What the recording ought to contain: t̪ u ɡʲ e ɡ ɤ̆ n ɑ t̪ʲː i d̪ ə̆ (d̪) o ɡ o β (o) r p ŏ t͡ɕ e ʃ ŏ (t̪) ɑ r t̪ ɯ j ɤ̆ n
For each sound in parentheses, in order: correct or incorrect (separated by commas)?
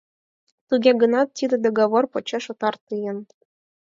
correct, correct, correct